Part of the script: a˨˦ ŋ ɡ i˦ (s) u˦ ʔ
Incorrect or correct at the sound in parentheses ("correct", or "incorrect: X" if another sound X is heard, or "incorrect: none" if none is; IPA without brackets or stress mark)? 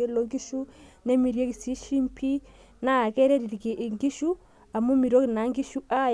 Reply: incorrect: ʃ